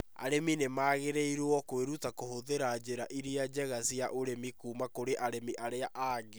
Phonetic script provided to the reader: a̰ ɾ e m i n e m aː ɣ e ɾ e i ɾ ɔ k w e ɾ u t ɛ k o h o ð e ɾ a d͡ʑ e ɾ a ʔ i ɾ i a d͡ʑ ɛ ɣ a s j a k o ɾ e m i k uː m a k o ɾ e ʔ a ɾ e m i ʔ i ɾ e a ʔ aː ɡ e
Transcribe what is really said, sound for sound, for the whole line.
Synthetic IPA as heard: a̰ ɾ e m i n e m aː ɣ e ɾ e i ɾ ɔ k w e ɾ u t a k o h o ð e ɾ a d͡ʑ e ɾ a ʔ i ɾ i a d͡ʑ ɛ ɣ a s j a ʔ o ɾ e m i k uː m a k o ɾ e ʔ a ɾ e m i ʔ a ɾ e a ʔ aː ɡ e